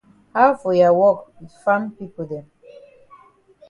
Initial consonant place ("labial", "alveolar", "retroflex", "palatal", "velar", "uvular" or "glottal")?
glottal